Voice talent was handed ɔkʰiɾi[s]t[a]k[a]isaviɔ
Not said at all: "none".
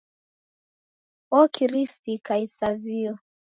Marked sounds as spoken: s, i, a

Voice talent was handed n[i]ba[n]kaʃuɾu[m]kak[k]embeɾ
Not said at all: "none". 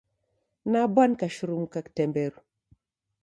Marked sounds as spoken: a, n, m, t

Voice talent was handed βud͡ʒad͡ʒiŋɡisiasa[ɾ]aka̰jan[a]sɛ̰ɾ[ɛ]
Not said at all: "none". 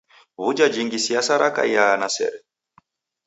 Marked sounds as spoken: ɾ, a, ɛ

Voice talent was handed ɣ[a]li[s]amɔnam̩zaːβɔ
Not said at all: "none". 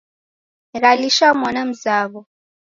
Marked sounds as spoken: a, ʃ

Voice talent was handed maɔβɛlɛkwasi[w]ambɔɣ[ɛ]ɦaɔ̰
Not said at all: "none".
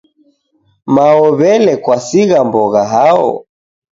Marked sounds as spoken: ɣ, a

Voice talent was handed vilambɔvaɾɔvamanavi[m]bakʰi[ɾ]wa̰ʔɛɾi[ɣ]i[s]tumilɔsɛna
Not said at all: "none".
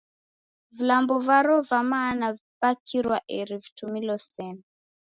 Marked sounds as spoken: none, ɾ, v, none

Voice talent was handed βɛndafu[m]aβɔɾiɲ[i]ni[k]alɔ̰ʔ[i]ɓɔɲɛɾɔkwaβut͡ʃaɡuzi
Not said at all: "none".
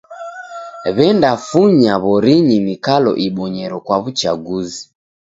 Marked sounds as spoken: ɲ, i, k, i

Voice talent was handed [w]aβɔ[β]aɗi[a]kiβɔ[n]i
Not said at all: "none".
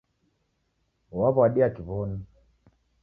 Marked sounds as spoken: w, none, a, n

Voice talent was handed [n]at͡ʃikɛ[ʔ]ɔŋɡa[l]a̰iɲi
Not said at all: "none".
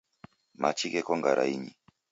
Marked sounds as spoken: m, k, ɾ

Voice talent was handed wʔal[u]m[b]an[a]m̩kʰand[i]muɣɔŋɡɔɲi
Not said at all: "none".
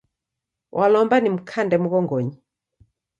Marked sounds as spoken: ɔ, b, i, ɛ

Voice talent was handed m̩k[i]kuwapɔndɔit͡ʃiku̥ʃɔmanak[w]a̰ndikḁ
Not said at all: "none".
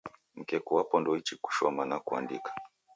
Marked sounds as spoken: ɛ, u

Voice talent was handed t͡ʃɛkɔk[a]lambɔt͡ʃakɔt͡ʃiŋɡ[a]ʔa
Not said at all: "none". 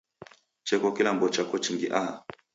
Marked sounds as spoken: i, i

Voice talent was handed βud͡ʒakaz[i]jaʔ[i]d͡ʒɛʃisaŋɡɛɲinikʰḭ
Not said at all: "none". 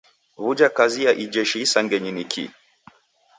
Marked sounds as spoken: i, i

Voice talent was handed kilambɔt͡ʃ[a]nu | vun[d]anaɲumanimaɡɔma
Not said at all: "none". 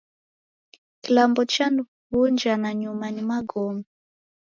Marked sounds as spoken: a, d͡ʒ

